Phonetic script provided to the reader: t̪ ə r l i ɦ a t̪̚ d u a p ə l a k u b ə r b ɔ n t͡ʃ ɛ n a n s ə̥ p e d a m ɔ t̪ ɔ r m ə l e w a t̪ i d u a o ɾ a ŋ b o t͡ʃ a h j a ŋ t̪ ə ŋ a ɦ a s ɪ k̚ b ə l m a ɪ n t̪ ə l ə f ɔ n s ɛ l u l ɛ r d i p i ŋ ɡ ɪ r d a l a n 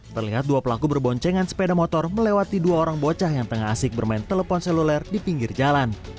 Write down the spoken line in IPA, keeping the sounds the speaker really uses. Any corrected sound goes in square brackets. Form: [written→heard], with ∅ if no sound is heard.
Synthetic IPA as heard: t̪ ə r l i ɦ a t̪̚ d u a p ə l a k u b ə r b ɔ [n→ɲ] t͡ʃ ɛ [n→ŋ] a n s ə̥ p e d a m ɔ t̪ ɔ r m ə l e w a t̪ i d u a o ɾ a ŋ b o t͡ʃ a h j a ŋ t̪ ə ŋ a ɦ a s ɪ k̚ b ə [l→r] m a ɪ n t̪ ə l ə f ɔ n s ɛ l u l ɛ r d i p i ŋ ɡ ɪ r [d→d͡ʒ] a l a n